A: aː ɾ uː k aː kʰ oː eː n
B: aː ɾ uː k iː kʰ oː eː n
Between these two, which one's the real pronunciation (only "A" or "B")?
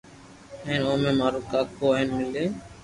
A